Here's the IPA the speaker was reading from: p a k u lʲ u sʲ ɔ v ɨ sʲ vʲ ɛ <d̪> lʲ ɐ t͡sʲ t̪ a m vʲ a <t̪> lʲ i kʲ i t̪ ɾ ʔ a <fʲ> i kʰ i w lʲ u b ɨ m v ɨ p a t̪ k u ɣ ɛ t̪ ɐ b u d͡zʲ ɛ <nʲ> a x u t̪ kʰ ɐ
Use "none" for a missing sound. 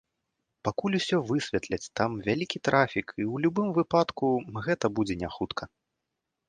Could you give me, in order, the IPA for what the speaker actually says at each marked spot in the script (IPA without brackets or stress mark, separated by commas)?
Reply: t̪, none, fʲ, nʲ